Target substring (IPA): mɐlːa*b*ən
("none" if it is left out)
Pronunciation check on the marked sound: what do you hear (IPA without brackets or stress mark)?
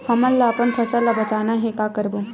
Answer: p